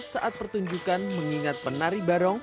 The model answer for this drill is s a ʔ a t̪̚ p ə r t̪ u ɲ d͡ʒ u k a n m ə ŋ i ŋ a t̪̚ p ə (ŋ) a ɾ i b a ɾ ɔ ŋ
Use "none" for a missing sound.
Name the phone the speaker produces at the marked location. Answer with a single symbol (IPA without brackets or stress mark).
n